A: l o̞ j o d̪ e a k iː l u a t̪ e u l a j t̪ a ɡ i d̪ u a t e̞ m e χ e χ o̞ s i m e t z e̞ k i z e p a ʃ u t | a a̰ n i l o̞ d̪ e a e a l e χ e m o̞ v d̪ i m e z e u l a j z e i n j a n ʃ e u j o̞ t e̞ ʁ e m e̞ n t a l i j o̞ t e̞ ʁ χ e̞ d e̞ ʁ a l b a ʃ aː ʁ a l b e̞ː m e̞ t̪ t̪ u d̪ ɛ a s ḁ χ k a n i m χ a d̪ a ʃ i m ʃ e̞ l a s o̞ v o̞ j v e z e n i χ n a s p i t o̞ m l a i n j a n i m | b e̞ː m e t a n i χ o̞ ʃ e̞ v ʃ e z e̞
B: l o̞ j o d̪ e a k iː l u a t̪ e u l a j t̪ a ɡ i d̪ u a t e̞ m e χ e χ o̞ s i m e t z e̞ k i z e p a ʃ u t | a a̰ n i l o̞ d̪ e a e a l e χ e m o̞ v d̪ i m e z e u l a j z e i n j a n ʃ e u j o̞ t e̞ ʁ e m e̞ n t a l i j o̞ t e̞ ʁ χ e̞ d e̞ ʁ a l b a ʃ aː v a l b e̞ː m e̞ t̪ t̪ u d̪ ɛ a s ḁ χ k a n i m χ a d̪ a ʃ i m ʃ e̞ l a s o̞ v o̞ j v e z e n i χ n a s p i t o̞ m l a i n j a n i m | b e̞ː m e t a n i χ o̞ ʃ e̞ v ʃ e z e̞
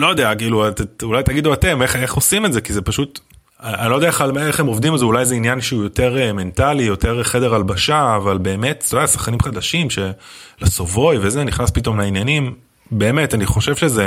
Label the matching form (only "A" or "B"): B